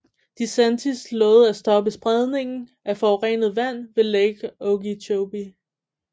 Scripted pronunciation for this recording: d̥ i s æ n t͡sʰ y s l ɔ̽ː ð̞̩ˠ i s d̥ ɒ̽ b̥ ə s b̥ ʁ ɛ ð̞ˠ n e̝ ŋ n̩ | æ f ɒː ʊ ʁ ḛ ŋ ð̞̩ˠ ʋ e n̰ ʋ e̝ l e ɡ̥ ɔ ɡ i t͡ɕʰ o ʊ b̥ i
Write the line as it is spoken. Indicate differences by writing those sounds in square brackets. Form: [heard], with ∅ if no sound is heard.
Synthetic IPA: d̥ i s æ n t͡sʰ [i] s l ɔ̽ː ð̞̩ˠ [æ] s d̥ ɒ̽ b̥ ə s b̥ ʁ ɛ ð̞ˠ n e̝ ŋ n̩ | æ f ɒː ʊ ʁ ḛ [n] ð̞̩ˠ ʋ [æ] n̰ ʋ e̝ l e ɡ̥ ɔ ɡ i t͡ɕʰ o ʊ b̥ i